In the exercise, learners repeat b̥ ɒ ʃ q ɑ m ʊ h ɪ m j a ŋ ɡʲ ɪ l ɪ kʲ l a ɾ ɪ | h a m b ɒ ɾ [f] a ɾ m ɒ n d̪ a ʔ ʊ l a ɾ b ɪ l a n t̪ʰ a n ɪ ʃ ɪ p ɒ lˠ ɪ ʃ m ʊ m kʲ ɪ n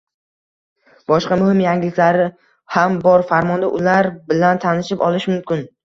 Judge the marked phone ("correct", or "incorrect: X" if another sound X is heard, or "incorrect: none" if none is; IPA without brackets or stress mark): correct